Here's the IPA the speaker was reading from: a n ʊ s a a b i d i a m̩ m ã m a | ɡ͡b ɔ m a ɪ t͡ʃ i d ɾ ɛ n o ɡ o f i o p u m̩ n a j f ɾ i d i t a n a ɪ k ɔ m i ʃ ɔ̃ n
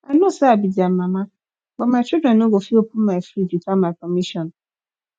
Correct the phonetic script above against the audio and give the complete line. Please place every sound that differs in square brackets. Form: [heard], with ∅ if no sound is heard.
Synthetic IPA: a n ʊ s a a b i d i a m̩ m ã m a | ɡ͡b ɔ m a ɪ t͡ʃ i d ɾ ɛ n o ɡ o f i o p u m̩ [m] a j f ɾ i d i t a [m] a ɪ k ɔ m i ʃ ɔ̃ n